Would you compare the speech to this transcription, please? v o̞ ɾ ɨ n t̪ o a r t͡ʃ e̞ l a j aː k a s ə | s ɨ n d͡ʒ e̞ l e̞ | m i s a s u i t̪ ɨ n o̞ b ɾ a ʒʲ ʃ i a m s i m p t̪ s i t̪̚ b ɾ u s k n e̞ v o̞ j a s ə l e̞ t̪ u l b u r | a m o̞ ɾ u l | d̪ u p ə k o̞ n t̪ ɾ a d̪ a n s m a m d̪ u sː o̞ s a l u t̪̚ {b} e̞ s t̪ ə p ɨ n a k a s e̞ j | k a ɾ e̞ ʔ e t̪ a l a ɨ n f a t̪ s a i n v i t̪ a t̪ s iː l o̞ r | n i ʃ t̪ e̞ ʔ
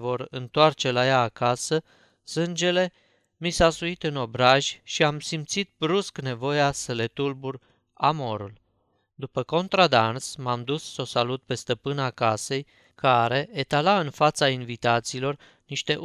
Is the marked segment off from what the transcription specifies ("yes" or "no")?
yes